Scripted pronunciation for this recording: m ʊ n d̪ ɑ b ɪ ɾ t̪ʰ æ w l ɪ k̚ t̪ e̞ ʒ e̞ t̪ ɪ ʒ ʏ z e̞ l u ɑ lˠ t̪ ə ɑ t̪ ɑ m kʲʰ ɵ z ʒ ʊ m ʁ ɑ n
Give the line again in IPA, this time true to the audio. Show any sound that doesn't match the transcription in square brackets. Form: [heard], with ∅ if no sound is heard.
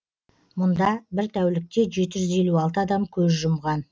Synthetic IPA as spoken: m ʊ n d̪ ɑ b ɪ ɾ t̪ʰ æ w l ɪ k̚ t̪ e̞ ʒ e̞ t̪ ɪ ʒ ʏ z e̞ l u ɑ lˠ t̪ ə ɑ [d̪] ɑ m kʲʰ ɵ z ʒ ʊ m ʁ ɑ n

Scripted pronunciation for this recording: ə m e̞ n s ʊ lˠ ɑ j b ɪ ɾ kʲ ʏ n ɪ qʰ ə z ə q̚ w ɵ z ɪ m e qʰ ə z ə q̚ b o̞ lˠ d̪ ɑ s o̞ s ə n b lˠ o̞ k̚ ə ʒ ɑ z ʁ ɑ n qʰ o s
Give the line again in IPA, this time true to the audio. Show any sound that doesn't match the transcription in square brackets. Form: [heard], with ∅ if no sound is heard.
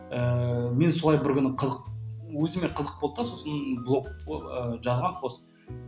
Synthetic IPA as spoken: ə m e̞ n s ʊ lˠ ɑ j b ɪ ɾ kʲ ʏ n ɪ qʰ ə z ə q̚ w ɵ z ɪ m e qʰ ə z ə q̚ b o̞ lˠ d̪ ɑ s o̞ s ə n b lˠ o̞ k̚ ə ʒ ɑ z ʁ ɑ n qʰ o s

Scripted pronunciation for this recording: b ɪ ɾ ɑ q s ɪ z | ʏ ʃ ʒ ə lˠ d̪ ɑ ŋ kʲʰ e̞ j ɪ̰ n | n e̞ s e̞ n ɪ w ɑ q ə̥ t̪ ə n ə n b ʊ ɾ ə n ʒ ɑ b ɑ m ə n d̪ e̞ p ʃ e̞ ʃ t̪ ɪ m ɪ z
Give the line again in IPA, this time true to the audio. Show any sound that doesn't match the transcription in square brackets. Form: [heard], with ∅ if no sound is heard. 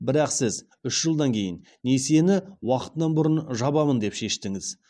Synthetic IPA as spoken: b ɪ ɾ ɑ q s ɪ z | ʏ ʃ ʒ ə lˠ d̪ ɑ ŋ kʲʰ e̞ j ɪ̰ n | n e̞ s e̞ n ɪ w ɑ q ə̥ t̪ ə n [ɑ] n b ʊ ɾ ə n ʒ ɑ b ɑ m ə n d̪ e̞ p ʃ e̞ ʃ t̪ ɪ [ŋ] ɪ z

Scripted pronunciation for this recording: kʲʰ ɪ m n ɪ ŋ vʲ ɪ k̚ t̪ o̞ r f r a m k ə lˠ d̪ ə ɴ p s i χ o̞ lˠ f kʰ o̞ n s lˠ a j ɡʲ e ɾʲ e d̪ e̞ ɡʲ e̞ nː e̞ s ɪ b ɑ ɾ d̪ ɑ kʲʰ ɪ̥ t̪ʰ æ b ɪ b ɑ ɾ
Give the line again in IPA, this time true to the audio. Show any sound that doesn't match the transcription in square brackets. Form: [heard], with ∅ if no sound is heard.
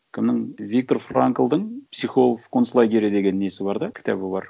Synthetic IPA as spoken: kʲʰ ɪ m n ɪ ŋ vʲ [i] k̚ t̪ o̞ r f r a [ŋ] k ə lˠ d̪ ə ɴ p s i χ o̞ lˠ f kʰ o̞ n s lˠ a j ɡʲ e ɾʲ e d̪ e̞ ɡʲ e̞ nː e̞ s ɪ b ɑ ɾ d̪ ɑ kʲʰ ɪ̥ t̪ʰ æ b ɪ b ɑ ɾ

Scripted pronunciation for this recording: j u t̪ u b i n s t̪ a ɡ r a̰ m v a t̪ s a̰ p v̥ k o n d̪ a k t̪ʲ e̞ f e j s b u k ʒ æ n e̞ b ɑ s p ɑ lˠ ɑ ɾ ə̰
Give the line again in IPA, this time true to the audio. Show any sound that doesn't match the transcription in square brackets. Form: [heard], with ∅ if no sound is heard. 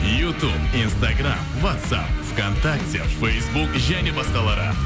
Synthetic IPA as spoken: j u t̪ u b i n s t̪ a ɡ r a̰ m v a t̪ s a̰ p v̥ k o n [t̪] a k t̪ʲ e̞ f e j s b u k ʒ æ n e̞ b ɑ s [q] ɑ lˠ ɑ ɾ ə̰

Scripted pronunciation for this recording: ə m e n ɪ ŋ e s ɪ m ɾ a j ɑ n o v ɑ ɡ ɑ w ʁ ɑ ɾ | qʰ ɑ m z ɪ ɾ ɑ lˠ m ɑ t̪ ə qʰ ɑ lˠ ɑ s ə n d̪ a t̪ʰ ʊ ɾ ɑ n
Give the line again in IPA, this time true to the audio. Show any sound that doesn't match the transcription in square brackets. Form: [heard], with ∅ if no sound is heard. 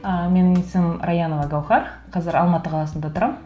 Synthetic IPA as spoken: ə m e n ɪ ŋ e s ɪ m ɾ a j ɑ n o v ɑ ɡ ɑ w [χ] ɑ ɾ | qʰ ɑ [∅] z ɪ ɾ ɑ lˠ m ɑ t̪ ə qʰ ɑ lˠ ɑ s ə n d̪ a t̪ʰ ʊ ɾ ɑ [m]

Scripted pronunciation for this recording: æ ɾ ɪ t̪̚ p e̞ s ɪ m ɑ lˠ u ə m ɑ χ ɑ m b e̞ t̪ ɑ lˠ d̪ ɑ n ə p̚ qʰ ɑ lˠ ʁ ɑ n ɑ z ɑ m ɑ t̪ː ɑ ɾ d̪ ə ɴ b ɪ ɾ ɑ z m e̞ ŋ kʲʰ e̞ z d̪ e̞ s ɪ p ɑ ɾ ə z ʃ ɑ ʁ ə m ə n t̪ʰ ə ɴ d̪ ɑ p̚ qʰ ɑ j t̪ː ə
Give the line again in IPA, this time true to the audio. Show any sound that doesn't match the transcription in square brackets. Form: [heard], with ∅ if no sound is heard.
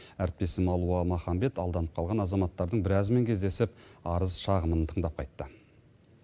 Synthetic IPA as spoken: æ ɾ ɪ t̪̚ p e̞ s ɪ m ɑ lˠ u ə m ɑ χ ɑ m b e̞ t̪ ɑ lˠ d̪ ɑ n ə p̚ qʰ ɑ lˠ ʁ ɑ n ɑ z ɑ m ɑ t̪ː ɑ ɾ d̪ ə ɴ b ɪ ɾ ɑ z m e̞ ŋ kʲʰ e̞ z d̪ e̞ s ɪ p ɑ ɾ ə z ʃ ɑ ʁ ə m ə n t̪ʰ ə ɴ d̪ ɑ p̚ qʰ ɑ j t̪ː ə

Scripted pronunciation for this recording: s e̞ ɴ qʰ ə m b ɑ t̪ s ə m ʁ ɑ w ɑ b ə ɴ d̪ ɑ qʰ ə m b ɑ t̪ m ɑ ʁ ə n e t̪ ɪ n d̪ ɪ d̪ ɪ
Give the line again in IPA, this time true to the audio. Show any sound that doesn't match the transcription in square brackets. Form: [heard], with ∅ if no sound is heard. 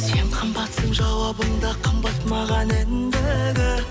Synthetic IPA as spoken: s e̞ ɴ qʰ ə m b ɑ t̪ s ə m [ʒ] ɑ w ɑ b ə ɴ d̪ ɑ qʰ ə m b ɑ t̪ m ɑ ʁ [ɑ] n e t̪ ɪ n d̪ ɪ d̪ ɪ

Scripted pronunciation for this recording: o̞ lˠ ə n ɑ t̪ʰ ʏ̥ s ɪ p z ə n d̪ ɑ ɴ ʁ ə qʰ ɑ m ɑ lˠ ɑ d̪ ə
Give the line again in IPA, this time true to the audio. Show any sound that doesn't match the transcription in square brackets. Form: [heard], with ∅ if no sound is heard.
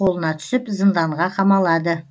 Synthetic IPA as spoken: o̞ lˠ ə n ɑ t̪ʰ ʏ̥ s ɪ p z ə n d̪ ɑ ɴ ʁ [ɑ] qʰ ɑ m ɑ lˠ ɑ d̪ ə

